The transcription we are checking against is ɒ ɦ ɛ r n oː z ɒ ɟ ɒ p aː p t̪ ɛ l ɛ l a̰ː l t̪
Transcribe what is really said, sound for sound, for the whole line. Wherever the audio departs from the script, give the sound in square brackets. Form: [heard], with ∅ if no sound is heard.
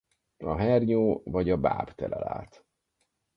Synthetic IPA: ɒ ɦ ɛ r [ɲ] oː [v] ɒ ɟ ɒ [b] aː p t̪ ɛ l ɛ l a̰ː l t̪